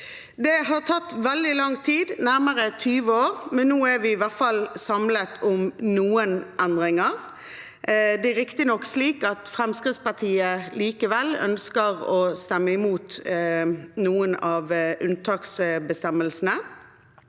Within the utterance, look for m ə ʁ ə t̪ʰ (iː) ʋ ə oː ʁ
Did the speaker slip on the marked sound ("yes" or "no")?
yes